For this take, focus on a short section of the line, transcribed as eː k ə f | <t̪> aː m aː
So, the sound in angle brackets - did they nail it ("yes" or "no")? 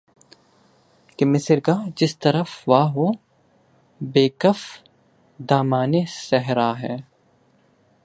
no